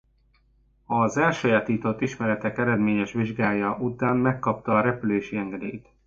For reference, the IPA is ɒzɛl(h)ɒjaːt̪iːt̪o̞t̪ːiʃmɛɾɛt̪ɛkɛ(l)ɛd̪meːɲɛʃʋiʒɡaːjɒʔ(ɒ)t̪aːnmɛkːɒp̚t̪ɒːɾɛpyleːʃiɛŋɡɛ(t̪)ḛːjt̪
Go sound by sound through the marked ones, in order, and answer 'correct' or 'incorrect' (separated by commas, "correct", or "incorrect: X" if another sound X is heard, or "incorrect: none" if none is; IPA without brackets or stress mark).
incorrect: ʃ, incorrect: ɾ, incorrect: u, incorrect: d̪